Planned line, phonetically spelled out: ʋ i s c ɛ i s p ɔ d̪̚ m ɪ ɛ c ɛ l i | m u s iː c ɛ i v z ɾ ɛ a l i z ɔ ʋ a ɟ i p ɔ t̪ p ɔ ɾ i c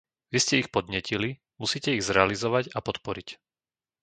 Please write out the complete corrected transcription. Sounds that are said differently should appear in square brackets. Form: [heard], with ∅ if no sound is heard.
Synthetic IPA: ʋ i s c ɛ i [x] p ɔ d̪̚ [ɲ] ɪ ɛ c [i] l i | m u s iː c ɛ i [ɣ] z ɾ ɛ a l i z ɔ ʋ a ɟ [a] p ɔ t̪ p ɔ ɾ i c